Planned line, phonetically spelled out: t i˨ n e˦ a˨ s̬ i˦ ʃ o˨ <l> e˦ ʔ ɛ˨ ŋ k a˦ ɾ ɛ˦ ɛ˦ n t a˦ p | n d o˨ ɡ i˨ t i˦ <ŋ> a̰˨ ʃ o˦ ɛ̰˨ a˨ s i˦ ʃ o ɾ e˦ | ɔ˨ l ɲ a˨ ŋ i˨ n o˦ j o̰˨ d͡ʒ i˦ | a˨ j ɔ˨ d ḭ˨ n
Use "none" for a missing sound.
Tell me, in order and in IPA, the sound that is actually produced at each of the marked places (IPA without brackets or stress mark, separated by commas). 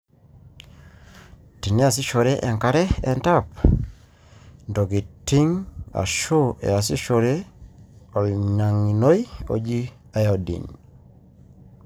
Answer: ɾ, ŋ